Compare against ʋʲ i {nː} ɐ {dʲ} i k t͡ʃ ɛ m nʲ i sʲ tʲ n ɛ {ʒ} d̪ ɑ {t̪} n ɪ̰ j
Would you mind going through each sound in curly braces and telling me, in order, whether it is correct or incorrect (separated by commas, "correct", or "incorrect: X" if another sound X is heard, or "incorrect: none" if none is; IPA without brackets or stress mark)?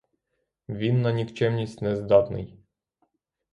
correct, incorrect: nʲ, incorrect: z, correct